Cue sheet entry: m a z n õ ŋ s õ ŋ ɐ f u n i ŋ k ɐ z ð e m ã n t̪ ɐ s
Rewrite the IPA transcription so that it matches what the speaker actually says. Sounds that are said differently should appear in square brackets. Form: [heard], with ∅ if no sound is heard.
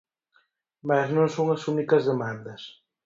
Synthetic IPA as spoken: m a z n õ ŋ s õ ŋ ɐ [s] u n i [∅] k ɐ z ð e m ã n [d̪] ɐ s